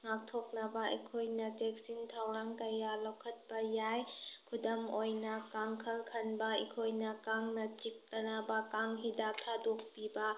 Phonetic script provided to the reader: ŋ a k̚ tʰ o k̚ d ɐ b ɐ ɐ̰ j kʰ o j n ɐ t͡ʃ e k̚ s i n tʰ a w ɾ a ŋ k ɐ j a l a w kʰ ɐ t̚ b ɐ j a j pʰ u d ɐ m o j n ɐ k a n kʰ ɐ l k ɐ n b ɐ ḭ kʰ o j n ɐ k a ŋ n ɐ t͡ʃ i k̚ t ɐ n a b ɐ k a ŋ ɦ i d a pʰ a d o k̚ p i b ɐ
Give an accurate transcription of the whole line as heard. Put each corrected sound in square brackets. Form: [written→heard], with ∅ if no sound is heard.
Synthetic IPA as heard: ŋ a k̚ tʰ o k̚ [d→n] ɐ b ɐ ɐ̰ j kʰ o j n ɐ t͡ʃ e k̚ s i n tʰ a w ɾ a ŋ k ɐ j a l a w kʰ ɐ t̚ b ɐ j a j [pʰ→kʰ] u d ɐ m o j n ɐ k a [n→ŋ] kʰ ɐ l [k→kʰ] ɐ n b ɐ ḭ kʰ o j n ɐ k a ŋ n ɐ t͡ʃ i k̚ t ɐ n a b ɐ k a ŋ ɦ i d a [pʰ→tʰ] a d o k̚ p i b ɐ